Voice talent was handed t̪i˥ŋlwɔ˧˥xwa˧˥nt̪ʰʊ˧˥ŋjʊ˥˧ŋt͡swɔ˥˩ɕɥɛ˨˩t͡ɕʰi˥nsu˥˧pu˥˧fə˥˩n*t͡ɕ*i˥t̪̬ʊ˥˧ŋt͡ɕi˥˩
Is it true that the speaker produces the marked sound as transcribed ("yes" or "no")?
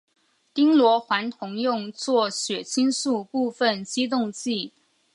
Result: yes